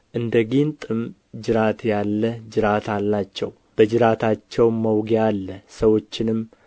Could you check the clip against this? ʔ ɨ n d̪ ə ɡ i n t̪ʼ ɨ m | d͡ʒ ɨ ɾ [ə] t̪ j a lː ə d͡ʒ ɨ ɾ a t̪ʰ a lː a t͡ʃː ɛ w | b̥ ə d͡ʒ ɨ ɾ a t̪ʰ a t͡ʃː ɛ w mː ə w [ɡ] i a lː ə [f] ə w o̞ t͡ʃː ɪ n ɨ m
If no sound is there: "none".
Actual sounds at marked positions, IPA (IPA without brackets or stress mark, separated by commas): a, ɡ, s